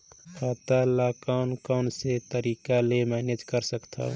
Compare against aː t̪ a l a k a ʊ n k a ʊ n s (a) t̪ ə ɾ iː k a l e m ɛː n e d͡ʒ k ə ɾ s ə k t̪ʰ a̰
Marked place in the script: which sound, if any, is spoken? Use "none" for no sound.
e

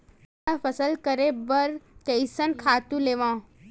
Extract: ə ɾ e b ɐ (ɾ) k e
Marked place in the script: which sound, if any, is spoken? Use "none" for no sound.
ɾ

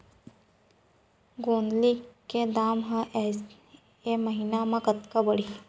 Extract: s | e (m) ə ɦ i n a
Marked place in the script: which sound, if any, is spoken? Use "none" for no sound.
m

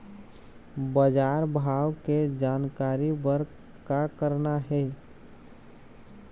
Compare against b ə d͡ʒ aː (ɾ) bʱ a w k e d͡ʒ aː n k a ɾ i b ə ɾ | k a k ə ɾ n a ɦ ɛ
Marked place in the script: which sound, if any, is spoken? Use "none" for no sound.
ɾ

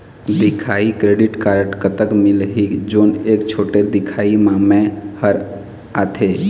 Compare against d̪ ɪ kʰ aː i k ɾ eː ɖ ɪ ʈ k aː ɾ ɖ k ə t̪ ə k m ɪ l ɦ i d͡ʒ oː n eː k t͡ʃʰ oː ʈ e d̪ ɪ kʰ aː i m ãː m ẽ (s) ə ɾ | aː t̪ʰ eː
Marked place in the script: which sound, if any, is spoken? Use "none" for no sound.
h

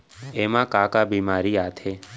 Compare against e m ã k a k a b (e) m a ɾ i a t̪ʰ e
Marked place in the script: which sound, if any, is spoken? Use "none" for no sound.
i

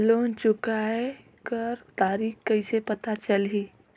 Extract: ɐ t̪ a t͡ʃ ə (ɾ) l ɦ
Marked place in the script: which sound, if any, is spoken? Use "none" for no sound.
none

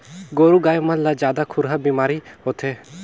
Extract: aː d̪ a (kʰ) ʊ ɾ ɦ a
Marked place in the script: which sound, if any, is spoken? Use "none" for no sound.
kʰ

